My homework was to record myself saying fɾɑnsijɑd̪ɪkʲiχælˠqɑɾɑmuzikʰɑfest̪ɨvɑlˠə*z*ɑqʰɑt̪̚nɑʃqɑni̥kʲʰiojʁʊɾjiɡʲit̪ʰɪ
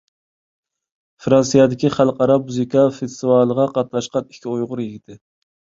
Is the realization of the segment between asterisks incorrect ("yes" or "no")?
yes